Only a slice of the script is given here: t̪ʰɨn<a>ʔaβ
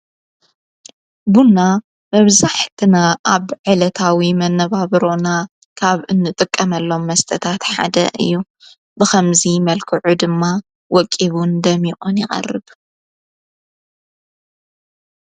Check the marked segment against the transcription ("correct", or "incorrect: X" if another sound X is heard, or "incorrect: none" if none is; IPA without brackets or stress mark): correct